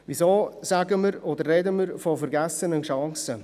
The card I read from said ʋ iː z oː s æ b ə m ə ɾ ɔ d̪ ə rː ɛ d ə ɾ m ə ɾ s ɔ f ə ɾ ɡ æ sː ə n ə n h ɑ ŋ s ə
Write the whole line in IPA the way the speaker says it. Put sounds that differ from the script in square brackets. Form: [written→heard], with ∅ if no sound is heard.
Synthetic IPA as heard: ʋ [iː→i] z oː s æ [b→ɡ] ə m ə ɾ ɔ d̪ ə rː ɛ d ə [ɾ→∅] m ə ɾ [s→f] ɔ f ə ɾ ɡ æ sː ə n ə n [h→ʃ] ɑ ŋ s ə